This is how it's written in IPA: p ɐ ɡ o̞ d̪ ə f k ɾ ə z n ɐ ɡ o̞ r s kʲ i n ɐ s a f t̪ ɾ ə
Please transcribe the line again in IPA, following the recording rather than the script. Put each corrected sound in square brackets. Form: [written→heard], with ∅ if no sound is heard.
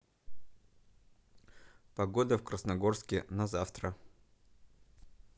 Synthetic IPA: p ɐ ɡ o̞ d̪ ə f k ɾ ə [z→s] n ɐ ɡ o̞ r s kʲ [i→ɪ] n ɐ [s→z] a f t̪ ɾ ə

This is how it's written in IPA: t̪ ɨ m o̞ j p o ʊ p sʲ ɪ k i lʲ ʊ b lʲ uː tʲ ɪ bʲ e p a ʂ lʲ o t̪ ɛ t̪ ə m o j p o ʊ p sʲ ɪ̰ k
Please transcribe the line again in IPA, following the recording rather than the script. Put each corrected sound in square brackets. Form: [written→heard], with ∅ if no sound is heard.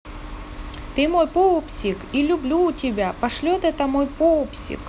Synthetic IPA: t̪ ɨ m o̞ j p o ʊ p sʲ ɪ k i lʲ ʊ b lʲ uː tʲ ɪ bʲ [e→a] p [a→ɐ] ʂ lʲ o t̪ ɛ t̪ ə m o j p o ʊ p sʲ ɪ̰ k

